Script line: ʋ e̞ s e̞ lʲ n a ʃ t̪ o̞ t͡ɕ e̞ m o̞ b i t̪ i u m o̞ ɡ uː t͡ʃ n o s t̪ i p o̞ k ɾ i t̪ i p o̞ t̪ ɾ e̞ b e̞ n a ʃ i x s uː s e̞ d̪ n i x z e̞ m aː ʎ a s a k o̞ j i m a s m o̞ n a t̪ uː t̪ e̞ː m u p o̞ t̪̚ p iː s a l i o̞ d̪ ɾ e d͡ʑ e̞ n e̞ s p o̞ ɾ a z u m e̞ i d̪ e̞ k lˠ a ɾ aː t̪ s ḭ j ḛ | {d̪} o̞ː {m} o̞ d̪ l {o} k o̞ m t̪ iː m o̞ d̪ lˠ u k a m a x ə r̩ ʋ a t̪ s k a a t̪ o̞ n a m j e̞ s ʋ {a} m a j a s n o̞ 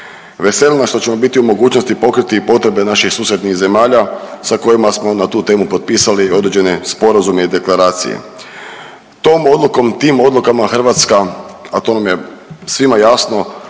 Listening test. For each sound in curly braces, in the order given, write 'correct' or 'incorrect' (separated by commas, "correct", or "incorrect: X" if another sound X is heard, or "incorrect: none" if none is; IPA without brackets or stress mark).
incorrect: t̪, correct, incorrect: u, incorrect: i